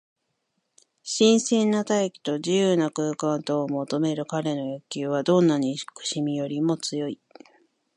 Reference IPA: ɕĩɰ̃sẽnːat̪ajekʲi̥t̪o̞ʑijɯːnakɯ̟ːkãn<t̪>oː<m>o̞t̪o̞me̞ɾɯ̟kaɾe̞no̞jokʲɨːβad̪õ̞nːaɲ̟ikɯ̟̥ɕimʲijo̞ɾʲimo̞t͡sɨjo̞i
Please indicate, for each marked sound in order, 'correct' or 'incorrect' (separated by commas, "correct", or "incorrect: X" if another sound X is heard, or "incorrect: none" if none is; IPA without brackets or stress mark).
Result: correct, correct